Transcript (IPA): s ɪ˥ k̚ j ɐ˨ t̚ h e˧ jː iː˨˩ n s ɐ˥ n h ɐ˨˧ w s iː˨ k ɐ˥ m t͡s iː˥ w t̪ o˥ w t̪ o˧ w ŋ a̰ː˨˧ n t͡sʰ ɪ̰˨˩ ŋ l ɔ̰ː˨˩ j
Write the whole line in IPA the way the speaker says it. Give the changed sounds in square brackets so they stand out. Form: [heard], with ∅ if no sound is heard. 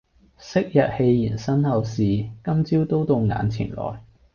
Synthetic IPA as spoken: s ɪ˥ k̚ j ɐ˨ t̚ h e˧ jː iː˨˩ n s ɐ˥ n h ɐ˨˧ w s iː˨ k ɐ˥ m t͡s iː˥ w t̪ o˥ w t̪ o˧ w ŋ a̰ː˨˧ n t͡sʰ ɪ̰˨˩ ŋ l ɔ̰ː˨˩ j

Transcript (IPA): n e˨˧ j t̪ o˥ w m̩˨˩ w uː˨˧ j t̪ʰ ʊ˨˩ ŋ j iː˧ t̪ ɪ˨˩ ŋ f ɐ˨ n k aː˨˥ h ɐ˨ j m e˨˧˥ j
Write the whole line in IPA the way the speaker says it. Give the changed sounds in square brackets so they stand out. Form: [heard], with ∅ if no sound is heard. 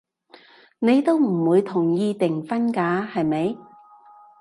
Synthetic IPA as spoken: n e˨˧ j t̪ o˥ w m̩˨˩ w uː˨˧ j t̪ʰ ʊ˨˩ ŋ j iː˧ t̪ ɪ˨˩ ŋ f [ɐ˥] n k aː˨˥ h ɐ˨ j m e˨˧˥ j

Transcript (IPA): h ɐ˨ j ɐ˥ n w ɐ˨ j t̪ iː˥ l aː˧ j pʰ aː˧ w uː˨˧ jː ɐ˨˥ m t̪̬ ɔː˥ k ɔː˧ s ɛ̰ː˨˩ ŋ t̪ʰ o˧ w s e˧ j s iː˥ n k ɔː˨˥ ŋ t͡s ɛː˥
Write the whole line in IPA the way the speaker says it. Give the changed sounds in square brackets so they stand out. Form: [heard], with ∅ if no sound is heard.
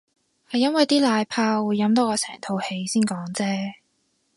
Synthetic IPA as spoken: h ɐ˨ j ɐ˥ n w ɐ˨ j t̪ iː˥ l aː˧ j pʰ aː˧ w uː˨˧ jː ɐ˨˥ m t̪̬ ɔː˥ k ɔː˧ s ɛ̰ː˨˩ ŋ t̪ʰ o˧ w [h] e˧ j s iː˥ n k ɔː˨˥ ŋ t͡s ɛː˥

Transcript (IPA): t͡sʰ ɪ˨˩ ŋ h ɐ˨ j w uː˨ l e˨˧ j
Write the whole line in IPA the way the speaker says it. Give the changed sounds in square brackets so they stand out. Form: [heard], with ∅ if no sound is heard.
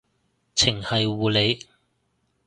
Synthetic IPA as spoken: t͡sʰ ɪ˨˩ ŋ h ɐ˨ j w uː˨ l e˨˧ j

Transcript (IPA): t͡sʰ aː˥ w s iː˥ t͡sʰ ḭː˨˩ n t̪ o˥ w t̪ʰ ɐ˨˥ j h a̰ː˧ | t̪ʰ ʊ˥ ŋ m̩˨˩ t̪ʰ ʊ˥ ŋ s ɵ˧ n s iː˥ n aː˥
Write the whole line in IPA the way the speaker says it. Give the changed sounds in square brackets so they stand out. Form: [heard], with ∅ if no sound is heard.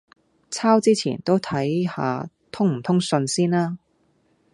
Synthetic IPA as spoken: t͡sʰ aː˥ w [t͡s] iː˥ t͡sʰ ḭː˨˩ n t̪ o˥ w t̪ʰ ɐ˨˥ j h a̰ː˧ | t̪ʰ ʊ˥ ŋ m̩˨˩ t̪ʰ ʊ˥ ŋ s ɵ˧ n s iː˥ n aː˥

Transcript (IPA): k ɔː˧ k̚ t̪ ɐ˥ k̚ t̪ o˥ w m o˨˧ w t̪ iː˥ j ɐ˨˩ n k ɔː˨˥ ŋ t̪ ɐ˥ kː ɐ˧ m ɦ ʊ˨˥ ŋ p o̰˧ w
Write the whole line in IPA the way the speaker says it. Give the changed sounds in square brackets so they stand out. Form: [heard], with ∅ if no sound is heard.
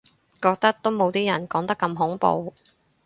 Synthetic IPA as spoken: k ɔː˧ k̚ t̪ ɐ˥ k̚ t̪ o˥ w m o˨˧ w t̪ iː˥ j ɐ˨˩ n k ɔː˨˥ ŋ t̪ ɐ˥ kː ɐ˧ m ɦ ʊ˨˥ ŋ p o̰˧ w

